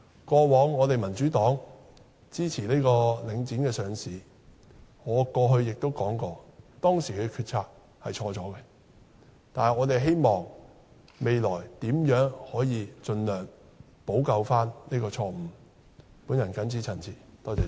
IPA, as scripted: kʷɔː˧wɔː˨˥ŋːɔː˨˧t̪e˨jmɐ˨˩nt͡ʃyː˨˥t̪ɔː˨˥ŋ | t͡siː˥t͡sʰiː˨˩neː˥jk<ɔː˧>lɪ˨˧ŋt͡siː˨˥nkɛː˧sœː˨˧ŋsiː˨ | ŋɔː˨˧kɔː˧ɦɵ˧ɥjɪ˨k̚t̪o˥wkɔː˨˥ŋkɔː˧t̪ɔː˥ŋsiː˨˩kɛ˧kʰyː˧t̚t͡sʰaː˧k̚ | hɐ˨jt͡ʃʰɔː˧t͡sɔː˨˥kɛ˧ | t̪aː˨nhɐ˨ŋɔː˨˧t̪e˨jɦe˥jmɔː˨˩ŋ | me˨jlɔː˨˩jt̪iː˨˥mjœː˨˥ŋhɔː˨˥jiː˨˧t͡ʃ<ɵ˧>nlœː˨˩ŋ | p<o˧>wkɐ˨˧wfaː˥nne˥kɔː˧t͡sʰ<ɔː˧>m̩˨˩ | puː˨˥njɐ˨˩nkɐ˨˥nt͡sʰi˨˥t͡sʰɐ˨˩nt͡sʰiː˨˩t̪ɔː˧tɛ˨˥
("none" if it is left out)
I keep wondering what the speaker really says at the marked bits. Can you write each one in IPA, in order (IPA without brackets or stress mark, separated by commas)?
ɔː˧, ɵ˧, o˨˥, ɔː˧